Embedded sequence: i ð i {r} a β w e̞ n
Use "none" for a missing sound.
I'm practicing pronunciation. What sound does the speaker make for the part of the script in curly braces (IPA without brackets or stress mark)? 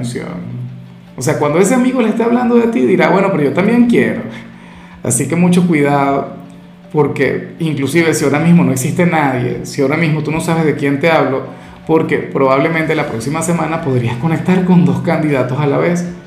ɾ